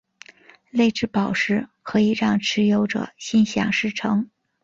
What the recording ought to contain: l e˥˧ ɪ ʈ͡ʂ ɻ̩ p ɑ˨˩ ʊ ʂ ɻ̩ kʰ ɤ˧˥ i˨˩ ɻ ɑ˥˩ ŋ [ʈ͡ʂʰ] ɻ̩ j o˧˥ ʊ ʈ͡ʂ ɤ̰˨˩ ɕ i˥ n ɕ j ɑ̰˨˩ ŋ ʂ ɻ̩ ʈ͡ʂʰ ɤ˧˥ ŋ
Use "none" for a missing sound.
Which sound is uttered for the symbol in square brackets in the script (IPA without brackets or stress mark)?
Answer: ʈ͡ʂʰ